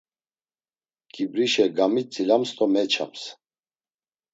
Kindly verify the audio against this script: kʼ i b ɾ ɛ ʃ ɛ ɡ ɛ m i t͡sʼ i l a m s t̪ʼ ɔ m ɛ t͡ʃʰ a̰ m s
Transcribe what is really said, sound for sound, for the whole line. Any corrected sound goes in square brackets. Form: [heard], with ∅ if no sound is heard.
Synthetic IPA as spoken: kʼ i b ɾ [i] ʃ ɛ ɡ [a] m i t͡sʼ i l a m s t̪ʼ ɔ m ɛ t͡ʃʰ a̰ m s